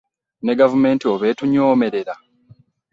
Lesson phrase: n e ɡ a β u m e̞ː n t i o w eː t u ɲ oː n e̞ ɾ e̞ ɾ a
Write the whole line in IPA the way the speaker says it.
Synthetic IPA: n e ɡ a v u m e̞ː n t i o β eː t u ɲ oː m e̞ ɾ e̞ ɾ a